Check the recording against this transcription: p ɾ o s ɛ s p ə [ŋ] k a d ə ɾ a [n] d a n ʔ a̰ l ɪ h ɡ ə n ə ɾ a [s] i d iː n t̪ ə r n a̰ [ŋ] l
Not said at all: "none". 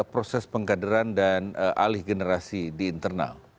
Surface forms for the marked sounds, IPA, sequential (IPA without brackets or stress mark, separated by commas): ŋ, n, s, none